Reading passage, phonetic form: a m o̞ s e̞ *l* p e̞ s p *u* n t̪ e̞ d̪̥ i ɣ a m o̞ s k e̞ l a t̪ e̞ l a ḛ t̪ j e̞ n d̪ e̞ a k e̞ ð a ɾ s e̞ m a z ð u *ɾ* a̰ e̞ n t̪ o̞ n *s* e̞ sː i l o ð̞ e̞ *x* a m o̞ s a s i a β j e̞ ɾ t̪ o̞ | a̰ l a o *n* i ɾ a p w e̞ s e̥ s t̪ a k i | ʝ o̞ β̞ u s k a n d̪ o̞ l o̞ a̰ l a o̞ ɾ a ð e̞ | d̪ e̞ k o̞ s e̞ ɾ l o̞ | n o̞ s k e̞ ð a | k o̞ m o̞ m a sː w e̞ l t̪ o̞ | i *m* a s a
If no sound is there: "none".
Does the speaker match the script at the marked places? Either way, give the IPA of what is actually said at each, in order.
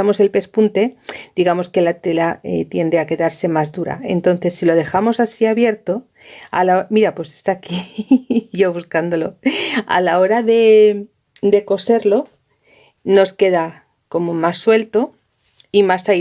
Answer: l, u, ɾ, θ, x, m, m

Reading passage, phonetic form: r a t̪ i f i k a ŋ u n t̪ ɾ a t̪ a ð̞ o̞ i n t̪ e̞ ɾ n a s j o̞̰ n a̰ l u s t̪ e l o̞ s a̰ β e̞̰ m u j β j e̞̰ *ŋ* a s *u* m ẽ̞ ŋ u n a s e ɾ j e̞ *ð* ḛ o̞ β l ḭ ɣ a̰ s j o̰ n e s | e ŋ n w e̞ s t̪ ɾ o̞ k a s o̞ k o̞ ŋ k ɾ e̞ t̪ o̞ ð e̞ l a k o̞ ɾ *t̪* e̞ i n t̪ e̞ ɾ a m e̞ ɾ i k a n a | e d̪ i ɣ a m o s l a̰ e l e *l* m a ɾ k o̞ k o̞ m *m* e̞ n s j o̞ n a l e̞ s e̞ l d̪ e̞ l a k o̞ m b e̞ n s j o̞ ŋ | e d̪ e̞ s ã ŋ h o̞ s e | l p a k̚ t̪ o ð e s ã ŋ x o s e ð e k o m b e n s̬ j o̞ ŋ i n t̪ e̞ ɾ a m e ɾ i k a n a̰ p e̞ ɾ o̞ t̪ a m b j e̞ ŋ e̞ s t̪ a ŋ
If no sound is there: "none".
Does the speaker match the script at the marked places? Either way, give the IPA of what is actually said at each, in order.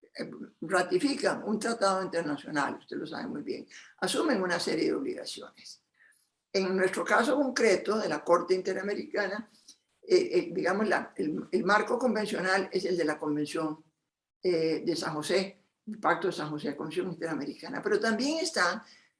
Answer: ŋ, u, ð, t̪, l, b

